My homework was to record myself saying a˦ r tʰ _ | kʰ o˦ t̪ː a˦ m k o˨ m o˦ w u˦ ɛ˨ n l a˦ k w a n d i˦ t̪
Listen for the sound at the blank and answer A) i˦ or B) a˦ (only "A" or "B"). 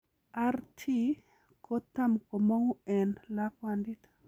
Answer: A